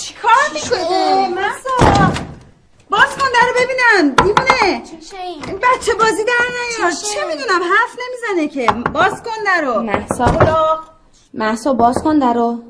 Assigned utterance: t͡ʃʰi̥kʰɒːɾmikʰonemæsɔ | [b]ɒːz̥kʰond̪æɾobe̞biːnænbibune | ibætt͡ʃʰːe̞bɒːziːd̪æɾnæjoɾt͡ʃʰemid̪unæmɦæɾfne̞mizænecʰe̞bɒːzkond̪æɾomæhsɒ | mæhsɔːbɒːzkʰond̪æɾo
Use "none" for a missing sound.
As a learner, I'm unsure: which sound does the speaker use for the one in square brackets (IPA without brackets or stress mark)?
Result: b